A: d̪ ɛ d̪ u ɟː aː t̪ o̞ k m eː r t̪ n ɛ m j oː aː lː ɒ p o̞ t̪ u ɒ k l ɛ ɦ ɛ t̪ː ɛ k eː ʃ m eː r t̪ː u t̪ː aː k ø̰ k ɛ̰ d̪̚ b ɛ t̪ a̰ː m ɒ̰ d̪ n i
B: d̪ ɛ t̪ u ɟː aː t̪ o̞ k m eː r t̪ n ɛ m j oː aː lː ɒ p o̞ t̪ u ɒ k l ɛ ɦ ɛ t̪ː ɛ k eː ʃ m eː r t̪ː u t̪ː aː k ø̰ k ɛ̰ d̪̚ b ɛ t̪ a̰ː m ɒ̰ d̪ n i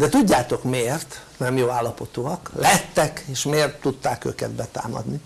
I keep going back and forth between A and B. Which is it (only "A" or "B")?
B